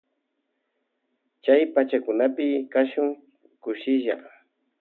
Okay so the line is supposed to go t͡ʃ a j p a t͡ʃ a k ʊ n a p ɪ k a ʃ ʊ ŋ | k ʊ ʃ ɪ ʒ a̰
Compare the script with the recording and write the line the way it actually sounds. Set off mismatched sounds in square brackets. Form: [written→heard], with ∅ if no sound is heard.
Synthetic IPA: t͡ʃ a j p a t͡ʃ a k ʊ n a p ɪ k a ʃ ʊ ŋ | k ʊ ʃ ɪ ʒ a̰